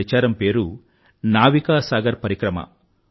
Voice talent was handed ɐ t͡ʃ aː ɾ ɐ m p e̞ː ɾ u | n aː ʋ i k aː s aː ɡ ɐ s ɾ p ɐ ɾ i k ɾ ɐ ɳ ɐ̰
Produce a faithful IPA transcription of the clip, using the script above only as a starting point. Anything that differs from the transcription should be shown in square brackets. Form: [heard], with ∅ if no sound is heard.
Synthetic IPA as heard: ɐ t͡ʃ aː ɾ ɐ m p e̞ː ɾ u | n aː ʋ i k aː s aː ɡ ɐ [∅] ɾ p ɐ ɾ i k ɾ ɐ [m] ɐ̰